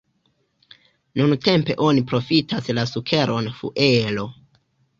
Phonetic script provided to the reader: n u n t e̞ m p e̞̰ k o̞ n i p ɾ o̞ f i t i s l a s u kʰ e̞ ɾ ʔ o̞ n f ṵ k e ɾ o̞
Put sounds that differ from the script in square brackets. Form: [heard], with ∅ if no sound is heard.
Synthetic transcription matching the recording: n u n t e̞ m p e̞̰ [ʔ] o̞ n i p ɾ o̞ f i t [a] s l a s u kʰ e̞ ɾ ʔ o̞ n f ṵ [ʔ] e [l] o̞